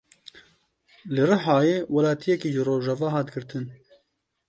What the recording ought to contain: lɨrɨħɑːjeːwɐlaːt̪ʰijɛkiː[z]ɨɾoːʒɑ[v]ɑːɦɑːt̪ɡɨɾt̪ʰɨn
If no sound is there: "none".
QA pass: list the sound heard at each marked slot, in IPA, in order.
ʒ, v

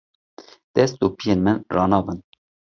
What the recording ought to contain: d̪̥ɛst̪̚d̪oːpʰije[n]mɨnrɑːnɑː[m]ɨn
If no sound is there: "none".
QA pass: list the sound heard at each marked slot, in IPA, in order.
n, b

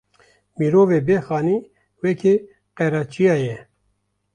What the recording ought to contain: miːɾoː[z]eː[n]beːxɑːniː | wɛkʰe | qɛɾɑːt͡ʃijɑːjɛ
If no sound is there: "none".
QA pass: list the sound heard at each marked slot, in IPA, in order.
v, none

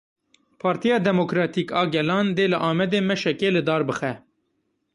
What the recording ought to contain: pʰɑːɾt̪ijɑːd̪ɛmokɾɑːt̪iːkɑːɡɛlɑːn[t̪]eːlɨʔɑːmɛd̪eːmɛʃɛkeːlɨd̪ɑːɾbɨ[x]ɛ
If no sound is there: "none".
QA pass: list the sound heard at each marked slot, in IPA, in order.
d̪, x

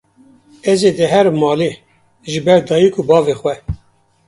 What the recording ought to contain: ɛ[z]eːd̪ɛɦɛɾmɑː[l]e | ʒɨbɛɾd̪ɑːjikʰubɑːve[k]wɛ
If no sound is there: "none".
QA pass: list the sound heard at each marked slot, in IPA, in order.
z, l, x

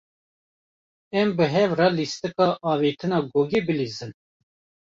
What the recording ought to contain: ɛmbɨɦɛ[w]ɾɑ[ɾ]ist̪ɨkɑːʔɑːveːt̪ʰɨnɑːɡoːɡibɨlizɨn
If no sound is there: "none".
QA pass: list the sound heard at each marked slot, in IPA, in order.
v, l

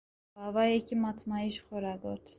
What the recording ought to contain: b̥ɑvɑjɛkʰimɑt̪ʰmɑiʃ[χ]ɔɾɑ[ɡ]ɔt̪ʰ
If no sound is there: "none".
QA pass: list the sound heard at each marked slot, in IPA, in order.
χ, ɡ

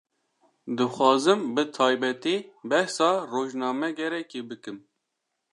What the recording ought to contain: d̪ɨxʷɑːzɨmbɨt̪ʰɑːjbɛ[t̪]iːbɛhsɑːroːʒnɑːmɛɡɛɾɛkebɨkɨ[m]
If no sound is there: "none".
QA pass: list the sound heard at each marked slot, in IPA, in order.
t̪, m

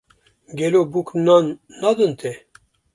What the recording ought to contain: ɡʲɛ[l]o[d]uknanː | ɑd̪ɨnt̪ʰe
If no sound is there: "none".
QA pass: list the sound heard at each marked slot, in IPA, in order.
l, b

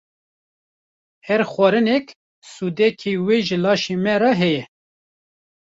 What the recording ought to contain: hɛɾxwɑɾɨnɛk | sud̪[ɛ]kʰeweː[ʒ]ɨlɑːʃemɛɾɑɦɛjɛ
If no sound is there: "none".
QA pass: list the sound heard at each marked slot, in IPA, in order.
ɛ, ʒ

